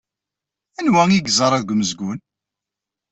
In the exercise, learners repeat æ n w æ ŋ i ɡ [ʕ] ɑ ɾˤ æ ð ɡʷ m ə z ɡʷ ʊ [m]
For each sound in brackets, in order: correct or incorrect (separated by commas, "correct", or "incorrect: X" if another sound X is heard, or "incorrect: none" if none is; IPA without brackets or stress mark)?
incorrect: z, incorrect: n